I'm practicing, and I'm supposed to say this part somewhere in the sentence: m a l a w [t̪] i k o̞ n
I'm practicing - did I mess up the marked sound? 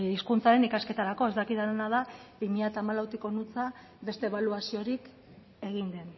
no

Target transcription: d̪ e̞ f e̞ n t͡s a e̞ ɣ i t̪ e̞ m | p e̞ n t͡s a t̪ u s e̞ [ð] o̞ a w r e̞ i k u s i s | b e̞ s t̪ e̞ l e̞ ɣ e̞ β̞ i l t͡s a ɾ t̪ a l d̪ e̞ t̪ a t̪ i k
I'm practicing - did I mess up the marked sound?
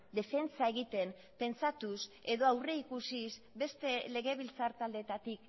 no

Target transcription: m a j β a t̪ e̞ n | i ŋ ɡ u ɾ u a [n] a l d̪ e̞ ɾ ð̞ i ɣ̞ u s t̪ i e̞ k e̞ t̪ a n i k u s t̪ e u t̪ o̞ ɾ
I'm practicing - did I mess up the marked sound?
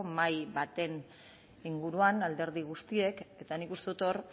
no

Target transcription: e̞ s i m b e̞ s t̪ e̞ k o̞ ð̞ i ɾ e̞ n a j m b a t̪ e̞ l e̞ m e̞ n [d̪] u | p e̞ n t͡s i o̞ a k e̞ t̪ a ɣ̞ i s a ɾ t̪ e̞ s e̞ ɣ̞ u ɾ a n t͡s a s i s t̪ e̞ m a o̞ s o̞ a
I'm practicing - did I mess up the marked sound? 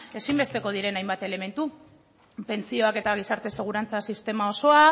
yes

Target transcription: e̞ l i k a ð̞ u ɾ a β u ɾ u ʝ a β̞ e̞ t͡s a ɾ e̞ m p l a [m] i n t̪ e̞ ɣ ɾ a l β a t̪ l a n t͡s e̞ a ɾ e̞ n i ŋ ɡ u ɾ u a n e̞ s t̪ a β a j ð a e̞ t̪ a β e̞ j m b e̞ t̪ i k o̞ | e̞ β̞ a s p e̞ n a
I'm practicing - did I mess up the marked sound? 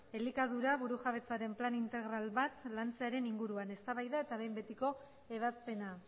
yes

